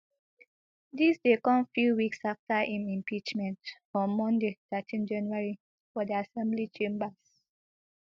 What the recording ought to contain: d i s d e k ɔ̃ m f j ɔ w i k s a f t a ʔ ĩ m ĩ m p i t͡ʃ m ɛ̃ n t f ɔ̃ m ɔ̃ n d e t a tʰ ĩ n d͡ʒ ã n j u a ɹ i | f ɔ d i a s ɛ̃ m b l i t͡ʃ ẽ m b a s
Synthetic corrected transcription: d i s d e k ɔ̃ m f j u w i k s a f t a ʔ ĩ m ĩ m p i t͡ʃ m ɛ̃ n t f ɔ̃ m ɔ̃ n d e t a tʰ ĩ n d͡ʒ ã n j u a ɹ i | f ɔ d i a s ɛ̃ m b l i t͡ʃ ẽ m b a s